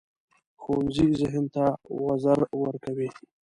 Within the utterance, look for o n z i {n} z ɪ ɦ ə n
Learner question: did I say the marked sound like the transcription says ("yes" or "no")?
no